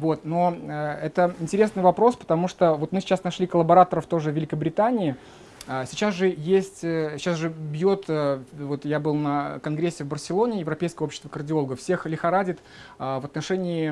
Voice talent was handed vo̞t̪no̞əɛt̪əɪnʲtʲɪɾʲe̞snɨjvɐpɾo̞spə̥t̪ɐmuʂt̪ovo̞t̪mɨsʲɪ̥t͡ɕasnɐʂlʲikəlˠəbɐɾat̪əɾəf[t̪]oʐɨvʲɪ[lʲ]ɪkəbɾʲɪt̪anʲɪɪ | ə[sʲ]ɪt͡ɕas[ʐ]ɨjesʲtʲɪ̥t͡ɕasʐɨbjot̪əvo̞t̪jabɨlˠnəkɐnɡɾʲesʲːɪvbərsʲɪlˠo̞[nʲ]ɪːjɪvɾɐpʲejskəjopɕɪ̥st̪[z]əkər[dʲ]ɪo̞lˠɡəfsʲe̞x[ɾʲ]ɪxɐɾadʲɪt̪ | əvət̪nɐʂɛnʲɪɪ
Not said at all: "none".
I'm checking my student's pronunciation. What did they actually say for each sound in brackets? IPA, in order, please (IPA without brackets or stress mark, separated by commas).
t̪, lʲ, sʲ, ʐ, nʲ, v, dʲ, lʲ